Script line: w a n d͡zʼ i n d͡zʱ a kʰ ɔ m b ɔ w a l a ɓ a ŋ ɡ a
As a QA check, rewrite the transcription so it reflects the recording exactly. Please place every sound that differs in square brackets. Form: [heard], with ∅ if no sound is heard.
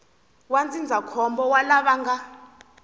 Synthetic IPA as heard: w a n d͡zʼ i n d͡zʱ a kʰ ɔ m b ɔ w a l a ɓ a ŋ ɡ a